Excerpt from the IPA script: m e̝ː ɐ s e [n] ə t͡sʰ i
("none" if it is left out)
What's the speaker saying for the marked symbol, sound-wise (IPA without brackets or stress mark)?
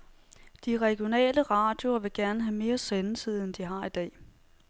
n